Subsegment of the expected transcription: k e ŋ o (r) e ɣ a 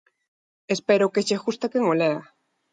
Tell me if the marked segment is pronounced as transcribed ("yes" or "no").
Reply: no